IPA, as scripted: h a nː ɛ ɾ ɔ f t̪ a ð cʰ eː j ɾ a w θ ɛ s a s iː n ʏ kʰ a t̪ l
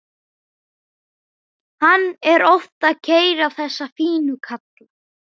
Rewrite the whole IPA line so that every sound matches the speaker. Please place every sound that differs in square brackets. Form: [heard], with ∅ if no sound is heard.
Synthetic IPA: h a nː ɛ ɾ ɔ f t̪ a ð cʰ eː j ɾ a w θ ɛ [sː] a [f] iː n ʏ kʰ a t̪ l